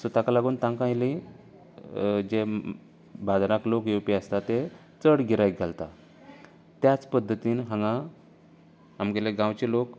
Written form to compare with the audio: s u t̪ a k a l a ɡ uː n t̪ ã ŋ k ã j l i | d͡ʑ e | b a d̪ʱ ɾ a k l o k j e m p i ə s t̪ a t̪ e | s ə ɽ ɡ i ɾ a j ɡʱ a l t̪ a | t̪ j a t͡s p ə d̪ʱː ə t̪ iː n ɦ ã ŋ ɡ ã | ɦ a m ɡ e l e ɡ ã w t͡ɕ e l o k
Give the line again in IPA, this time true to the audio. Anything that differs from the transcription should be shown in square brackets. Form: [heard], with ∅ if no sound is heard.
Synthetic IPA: s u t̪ a k a l a ɡ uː n t̪ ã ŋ k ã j l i | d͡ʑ e | b a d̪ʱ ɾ a k l o k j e [∅] p i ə s t̪ a t̪ e | [t͡s] ə ɽ ɡ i ɾ a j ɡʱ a l t̪ a | t̪ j a t͡s p ə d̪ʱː ə t̪ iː n ɦ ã ŋ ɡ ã | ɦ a m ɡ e l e ɡ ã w t͡ɕ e l o k